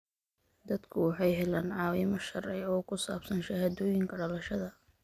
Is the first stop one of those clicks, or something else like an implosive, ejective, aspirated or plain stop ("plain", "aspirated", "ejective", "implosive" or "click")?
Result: plain